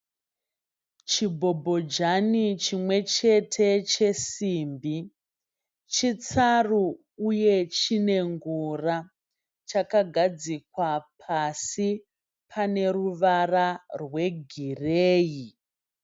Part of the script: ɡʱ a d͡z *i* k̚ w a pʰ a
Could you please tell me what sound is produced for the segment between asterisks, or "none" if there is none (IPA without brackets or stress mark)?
i